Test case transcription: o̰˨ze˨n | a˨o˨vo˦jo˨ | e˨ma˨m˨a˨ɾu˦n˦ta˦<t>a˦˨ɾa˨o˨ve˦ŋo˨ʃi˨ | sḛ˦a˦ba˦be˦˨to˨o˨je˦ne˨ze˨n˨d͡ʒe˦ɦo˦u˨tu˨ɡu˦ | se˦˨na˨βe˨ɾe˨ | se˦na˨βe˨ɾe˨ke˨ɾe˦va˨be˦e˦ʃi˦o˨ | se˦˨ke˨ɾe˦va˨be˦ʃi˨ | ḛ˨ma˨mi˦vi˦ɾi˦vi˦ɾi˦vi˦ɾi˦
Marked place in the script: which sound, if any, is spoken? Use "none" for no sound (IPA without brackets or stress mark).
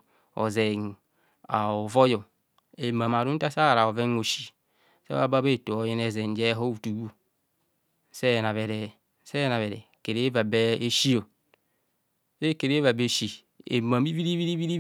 s